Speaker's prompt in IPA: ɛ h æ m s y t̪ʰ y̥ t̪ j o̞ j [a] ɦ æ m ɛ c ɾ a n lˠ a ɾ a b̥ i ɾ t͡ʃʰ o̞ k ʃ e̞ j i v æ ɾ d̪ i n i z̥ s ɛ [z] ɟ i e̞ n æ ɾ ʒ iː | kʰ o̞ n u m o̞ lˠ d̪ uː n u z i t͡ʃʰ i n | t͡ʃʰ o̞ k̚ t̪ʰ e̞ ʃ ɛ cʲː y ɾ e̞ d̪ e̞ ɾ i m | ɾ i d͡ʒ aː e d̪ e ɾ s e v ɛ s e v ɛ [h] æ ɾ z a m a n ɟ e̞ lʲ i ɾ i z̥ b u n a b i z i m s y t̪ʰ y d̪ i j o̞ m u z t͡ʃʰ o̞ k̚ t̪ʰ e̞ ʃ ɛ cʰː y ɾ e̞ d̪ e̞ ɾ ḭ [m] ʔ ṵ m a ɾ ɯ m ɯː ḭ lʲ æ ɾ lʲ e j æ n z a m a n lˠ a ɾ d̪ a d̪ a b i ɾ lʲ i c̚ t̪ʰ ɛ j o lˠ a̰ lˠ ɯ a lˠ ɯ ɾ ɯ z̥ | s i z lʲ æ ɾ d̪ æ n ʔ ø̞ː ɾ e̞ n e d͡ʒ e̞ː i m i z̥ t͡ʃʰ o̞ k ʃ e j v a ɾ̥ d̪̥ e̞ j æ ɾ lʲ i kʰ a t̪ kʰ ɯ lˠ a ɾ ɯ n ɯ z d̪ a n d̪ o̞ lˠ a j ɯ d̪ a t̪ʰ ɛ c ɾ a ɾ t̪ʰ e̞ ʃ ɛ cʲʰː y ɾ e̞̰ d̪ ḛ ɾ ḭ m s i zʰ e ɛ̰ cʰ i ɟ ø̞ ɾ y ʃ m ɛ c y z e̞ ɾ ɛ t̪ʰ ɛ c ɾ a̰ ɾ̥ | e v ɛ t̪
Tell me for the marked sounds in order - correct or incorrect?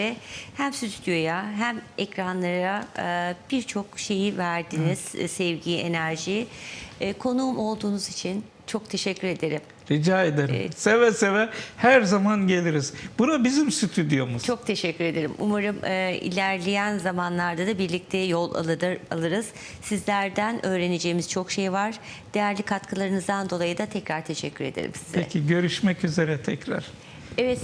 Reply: correct, incorrect, correct, correct

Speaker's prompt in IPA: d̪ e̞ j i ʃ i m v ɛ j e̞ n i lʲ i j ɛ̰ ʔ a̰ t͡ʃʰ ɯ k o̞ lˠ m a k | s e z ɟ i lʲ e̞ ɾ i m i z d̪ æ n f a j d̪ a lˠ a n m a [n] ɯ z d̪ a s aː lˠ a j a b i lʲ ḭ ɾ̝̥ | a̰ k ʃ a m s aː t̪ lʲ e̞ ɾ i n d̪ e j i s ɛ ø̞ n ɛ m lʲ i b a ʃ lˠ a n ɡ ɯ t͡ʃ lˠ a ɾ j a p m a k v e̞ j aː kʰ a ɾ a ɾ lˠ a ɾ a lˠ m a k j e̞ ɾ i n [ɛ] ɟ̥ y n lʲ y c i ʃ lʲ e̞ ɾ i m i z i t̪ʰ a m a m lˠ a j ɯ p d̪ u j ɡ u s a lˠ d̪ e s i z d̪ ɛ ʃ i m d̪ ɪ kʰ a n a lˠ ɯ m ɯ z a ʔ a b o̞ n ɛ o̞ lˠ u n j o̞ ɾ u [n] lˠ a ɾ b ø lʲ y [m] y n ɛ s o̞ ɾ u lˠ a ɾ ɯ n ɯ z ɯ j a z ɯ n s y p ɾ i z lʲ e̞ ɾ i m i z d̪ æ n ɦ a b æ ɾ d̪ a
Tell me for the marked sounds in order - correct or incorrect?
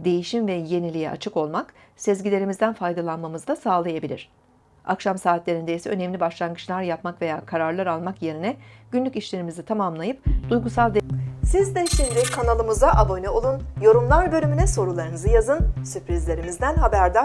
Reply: incorrect, correct, incorrect, correct

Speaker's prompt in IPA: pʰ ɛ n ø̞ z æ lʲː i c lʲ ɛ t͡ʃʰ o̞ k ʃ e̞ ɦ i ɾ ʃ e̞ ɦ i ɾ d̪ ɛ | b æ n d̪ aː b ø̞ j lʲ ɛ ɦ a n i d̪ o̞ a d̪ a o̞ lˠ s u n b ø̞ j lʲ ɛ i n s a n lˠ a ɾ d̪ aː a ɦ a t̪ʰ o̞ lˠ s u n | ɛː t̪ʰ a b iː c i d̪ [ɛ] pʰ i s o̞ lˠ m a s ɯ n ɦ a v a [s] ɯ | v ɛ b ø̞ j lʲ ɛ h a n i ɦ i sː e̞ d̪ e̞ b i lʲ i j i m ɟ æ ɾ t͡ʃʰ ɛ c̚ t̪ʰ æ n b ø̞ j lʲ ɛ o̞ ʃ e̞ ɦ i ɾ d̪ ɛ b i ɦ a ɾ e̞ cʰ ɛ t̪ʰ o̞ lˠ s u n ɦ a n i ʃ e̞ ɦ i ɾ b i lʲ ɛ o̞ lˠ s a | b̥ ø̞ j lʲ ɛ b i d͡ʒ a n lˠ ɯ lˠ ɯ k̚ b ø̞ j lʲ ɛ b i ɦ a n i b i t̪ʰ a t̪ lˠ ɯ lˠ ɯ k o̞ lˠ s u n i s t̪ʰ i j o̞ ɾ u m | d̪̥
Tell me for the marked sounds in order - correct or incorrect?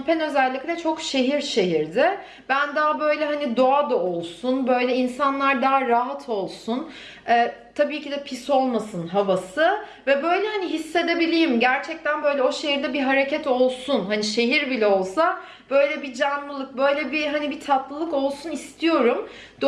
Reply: correct, correct

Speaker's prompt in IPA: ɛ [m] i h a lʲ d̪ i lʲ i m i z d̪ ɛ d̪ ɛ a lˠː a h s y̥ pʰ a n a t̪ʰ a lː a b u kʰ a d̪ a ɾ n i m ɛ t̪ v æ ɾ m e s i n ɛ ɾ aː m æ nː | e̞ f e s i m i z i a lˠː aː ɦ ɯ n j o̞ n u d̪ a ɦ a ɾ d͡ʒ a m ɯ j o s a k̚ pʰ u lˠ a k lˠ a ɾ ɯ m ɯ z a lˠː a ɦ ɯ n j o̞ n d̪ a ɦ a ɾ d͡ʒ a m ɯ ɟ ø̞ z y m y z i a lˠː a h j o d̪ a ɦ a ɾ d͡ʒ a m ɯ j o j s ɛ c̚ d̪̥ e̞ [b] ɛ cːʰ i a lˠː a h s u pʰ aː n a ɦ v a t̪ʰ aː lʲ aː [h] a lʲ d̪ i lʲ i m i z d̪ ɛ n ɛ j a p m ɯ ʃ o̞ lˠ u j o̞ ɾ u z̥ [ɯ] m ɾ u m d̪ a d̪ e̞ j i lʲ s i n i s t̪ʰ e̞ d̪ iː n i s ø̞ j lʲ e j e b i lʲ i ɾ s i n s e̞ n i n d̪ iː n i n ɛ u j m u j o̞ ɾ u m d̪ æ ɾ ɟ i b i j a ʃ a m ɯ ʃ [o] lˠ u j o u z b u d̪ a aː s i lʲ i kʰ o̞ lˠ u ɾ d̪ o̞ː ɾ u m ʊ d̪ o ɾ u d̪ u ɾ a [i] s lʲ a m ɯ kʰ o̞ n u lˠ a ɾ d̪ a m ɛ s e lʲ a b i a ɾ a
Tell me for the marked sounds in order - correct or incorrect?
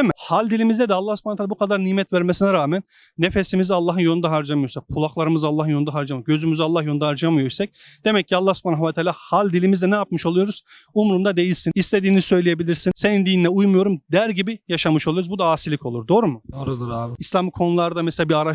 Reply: correct, incorrect, correct, incorrect, correct, correct

